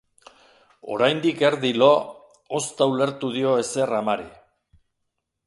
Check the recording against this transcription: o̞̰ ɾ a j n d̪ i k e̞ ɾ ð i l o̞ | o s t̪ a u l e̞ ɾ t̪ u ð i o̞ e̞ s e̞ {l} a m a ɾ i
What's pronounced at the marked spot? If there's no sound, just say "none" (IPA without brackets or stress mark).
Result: r